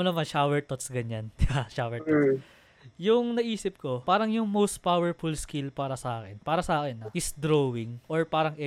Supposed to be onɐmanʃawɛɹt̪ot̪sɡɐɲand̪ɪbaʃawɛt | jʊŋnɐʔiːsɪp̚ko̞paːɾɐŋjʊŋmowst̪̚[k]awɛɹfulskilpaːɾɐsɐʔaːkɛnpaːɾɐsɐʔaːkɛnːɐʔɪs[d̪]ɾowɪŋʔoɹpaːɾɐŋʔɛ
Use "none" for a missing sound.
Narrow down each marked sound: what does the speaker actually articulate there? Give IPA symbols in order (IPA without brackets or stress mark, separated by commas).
p, d̪